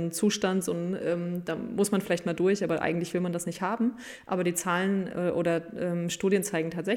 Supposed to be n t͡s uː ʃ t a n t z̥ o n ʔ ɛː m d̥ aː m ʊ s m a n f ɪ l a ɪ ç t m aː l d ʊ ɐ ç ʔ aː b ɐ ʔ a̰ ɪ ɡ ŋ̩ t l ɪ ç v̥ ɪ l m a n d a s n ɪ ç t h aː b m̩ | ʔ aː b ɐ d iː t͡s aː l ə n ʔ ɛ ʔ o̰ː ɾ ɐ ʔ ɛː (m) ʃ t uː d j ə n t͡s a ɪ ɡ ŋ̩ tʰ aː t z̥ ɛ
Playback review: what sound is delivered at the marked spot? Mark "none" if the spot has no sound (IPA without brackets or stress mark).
m